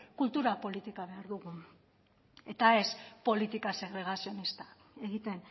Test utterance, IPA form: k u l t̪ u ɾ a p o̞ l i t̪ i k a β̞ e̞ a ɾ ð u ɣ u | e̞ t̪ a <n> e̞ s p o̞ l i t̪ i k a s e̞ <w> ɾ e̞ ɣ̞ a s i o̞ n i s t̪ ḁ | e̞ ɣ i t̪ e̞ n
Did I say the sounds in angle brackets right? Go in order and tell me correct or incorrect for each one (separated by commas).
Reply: incorrect, incorrect